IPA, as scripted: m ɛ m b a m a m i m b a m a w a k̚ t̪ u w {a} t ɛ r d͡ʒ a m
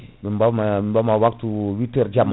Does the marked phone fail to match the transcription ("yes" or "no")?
yes